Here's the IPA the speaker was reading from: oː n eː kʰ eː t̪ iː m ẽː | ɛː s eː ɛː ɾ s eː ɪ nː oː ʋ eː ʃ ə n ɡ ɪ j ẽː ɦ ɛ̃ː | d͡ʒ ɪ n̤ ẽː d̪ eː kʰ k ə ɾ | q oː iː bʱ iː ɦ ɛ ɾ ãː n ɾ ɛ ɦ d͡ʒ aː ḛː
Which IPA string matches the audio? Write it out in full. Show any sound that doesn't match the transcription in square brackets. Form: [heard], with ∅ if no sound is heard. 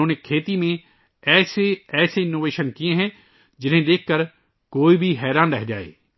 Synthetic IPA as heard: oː n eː kʰ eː t̪ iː m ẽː | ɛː s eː ɛː [∅] s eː ɪ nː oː ʋ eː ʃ ə n [k] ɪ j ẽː ɦ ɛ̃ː | d͡ʒ ɪ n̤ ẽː d̪ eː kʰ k ə ɾ | [k] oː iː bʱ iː ɦ [ɛː] ɾ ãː n ɾ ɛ ɦ d͡ʒ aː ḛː